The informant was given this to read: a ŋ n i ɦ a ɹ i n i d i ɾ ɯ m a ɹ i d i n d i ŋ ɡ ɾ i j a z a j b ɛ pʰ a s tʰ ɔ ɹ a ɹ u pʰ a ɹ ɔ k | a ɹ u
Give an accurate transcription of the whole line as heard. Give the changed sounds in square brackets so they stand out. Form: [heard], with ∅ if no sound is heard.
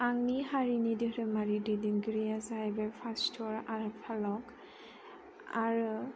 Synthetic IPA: a ŋ n i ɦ a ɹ i n i d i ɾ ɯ m a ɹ i d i [∅] d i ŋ ɡ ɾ i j a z a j b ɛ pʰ a s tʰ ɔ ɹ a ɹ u pʰ a [l] ɔ k | a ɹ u